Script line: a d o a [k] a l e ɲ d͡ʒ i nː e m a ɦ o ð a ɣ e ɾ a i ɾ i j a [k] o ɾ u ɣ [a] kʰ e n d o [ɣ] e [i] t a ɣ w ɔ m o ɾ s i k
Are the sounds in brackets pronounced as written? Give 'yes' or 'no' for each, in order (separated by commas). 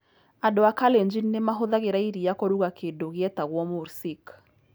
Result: yes, yes, yes, yes, no